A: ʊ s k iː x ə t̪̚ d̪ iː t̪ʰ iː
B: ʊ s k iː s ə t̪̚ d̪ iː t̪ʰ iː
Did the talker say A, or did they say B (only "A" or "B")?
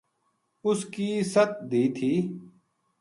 B